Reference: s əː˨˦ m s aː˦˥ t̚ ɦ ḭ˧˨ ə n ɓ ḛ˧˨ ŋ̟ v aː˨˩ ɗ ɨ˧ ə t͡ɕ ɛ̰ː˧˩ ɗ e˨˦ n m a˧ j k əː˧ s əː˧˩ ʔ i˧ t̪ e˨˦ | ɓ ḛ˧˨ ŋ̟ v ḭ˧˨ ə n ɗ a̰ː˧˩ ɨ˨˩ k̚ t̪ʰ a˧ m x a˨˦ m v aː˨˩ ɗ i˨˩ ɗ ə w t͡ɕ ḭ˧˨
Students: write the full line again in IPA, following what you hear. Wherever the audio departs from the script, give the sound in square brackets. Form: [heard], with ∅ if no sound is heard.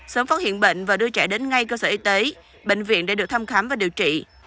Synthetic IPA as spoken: s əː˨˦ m [f] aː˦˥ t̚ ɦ ḭ˧˨ ə n ɓ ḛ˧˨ ŋ̟ v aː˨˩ ɗ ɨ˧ ə t͡ɕ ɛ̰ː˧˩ ɗ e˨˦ n [ŋ] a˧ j k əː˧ s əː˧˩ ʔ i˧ t̪ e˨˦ | ɓ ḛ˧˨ ŋ̟ v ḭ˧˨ ə n ɗ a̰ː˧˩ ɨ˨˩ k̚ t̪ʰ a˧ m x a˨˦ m v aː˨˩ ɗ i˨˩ [∅] ə w t͡ɕ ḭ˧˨